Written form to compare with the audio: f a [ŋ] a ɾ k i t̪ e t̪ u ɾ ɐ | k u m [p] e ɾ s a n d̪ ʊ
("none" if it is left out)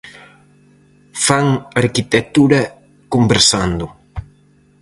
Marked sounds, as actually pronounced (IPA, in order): ŋ, b

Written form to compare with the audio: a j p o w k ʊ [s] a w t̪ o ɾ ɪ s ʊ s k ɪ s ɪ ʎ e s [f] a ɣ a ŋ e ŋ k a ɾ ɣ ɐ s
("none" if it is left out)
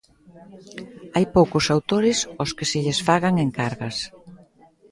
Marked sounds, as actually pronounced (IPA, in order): s, f

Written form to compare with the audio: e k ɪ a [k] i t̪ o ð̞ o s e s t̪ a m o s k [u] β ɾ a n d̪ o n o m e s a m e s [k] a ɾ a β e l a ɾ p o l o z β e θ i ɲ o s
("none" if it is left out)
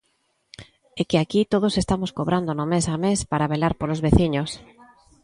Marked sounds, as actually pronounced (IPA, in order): k, o, p

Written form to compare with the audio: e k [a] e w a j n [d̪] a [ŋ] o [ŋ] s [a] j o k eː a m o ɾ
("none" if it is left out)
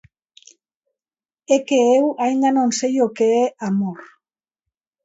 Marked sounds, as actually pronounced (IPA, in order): e, d̪, n, n, e

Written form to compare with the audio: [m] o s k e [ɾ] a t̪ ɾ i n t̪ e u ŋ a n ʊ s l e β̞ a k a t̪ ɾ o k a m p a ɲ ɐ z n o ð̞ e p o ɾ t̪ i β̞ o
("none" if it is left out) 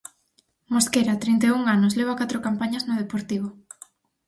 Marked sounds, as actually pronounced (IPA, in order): m, ɾ

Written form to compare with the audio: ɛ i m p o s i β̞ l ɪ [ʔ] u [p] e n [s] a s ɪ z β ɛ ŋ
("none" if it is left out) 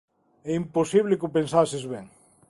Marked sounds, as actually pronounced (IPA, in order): k, p, s

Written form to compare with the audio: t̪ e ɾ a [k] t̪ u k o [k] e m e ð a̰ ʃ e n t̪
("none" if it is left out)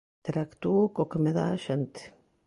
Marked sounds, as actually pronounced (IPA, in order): k, k

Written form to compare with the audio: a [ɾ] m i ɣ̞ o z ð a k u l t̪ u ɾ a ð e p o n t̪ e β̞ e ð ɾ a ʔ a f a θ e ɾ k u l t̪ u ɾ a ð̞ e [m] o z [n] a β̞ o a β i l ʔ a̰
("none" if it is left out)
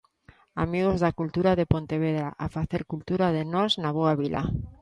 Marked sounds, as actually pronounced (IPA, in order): none, n, n

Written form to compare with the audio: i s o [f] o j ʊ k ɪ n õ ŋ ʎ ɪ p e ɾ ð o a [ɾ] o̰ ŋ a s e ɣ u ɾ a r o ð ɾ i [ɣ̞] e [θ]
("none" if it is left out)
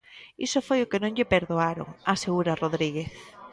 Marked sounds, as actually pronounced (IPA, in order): f, ɾ, ɣ̞, θ

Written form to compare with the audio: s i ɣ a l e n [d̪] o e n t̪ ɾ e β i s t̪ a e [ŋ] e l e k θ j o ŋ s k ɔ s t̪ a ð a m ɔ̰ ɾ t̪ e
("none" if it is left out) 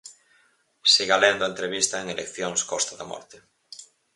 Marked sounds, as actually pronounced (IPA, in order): d̪, ŋ

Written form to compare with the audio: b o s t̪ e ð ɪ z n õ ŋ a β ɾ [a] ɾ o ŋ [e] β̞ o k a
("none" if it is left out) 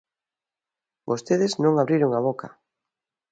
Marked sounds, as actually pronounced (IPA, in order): i, a

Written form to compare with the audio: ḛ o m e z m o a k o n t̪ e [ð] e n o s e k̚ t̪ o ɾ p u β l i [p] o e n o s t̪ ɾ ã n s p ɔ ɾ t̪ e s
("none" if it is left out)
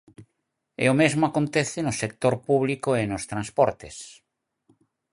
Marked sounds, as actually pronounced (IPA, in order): θ, k

